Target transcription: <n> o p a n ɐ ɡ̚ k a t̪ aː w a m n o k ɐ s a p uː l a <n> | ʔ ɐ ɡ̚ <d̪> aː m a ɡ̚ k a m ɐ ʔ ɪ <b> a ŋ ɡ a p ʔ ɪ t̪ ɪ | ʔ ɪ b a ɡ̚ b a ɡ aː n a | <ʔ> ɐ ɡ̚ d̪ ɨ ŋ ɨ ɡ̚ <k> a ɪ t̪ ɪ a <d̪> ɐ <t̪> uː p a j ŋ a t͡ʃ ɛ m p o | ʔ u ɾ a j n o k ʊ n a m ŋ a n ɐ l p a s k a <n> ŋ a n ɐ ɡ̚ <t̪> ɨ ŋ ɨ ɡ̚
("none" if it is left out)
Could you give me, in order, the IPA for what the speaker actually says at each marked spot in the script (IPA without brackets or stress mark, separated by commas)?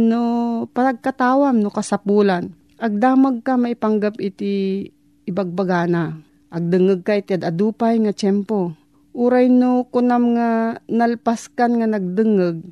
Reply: n, n, d̪, p, ʔ, k, d̪, d̪, n, d̪